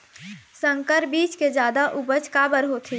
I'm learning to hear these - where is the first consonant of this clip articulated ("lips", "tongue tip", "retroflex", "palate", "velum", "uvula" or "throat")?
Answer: tongue tip